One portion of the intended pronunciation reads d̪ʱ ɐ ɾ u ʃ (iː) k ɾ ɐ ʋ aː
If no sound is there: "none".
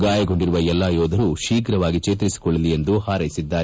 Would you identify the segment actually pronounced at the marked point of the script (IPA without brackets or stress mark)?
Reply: iː